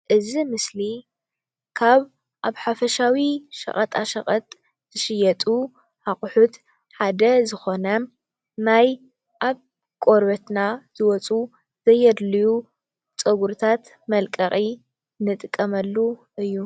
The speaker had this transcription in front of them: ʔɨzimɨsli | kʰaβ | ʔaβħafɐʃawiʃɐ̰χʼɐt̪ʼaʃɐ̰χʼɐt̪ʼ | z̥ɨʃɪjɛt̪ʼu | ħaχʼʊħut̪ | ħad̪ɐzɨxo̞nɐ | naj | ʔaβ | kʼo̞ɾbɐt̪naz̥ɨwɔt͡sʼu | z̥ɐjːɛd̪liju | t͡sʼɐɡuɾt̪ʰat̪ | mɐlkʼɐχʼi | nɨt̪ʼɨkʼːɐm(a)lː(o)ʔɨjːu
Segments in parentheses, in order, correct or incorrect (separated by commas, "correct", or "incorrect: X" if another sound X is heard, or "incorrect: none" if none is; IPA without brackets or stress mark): incorrect: ɐ, incorrect: u